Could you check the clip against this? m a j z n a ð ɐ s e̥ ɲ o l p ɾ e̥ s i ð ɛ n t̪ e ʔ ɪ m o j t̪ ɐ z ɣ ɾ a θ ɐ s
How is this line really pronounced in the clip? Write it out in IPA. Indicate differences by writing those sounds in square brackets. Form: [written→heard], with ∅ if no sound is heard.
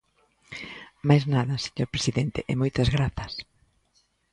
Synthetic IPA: m a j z n a ð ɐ s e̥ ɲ o [l→ɾ] p ɾ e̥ s i ð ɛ n t̪ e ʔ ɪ m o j t̪ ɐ z ɣ ɾ a θ ɐ s